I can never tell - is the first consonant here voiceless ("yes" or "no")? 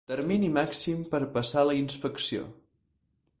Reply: yes